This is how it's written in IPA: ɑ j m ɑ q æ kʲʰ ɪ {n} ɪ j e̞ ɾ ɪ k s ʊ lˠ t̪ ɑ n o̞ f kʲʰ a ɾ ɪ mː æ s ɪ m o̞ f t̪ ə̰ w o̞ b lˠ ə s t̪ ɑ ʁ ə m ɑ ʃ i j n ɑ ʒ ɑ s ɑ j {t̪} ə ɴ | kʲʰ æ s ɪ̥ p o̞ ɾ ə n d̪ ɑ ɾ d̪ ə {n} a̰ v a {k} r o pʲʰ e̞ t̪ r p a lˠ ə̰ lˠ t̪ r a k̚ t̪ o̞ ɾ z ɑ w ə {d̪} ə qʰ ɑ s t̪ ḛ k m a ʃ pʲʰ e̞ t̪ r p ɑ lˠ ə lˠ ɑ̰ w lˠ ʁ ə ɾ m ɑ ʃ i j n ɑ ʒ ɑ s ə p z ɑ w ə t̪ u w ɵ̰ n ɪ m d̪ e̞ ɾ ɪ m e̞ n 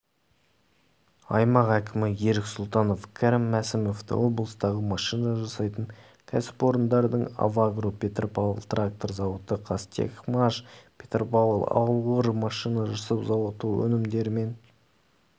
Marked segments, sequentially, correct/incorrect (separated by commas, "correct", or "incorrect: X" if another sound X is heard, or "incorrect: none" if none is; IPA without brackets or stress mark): incorrect: m, correct, incorrect: ɴ, incorrect: ɡ, incorrect: t̪